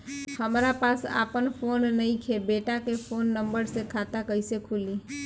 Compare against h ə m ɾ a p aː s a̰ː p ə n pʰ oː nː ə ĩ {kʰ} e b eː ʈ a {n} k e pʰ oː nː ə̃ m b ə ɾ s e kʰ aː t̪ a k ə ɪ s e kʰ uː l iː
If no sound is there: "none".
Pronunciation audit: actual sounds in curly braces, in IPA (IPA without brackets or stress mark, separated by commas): kʰ, none